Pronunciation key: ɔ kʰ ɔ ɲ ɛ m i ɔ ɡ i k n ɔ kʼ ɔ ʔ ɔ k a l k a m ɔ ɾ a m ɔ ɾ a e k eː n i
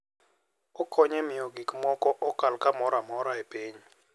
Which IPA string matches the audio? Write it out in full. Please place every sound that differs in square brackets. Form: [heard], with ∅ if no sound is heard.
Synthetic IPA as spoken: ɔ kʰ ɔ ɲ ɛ m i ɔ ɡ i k [m] ɔ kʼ ɔ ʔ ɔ k a l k a m ɔ ɾ a m ɔ ɾ a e [p] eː [ɲ] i